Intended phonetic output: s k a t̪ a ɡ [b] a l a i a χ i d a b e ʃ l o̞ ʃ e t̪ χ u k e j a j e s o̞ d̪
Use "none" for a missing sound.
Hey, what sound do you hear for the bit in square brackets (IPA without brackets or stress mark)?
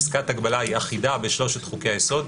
b